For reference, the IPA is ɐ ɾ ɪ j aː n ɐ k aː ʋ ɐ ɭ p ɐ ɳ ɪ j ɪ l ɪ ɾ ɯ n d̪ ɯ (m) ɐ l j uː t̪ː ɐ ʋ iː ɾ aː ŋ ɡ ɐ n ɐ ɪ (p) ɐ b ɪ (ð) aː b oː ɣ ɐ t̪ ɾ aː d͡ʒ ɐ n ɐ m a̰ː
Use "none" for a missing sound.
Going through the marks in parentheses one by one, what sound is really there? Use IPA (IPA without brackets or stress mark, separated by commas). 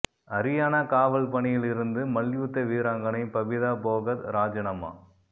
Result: m, p, ð